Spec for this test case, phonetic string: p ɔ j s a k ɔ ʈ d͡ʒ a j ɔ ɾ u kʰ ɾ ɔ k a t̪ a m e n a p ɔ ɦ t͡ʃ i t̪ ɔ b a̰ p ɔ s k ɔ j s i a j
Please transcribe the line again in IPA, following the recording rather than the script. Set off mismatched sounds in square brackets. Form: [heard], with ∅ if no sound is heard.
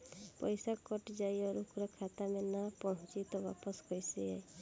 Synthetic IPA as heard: p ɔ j s a k ɔ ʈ d͡ʒ a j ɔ ɾ u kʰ ɾ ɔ [kʰ] a t̪ a m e n a p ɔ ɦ t͡ʃ i t̪ ɔ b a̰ p ɔ s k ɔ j s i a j